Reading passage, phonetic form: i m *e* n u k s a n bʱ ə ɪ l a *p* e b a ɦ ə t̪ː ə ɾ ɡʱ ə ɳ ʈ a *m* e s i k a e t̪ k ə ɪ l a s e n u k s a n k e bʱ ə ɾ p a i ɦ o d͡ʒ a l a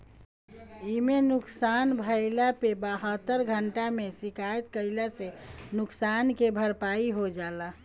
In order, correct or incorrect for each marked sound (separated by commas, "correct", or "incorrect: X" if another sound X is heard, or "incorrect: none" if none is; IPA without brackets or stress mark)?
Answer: correct, correct, correct